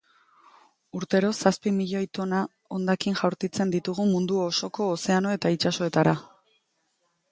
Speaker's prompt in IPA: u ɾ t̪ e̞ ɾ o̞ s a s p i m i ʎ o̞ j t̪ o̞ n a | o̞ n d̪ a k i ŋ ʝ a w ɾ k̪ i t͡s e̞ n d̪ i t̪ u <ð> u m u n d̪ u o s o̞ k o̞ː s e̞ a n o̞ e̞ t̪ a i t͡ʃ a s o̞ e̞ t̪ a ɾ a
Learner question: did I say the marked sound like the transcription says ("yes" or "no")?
no